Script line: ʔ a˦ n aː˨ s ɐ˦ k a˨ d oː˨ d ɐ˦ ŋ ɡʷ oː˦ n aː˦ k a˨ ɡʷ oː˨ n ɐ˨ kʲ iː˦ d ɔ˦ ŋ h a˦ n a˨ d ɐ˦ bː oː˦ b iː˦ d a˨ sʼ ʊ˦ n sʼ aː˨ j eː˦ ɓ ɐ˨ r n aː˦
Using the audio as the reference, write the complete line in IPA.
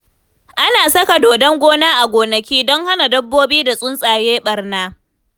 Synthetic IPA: ʔ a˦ n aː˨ s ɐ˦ k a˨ d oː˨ d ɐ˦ ŋ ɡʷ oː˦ n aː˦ ʔ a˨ ɡʷ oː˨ n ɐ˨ kʲ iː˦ d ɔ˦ ŋ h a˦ n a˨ d ɐ˦ bː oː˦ b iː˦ d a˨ sʼ ʊ˦ n sʼ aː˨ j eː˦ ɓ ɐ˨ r n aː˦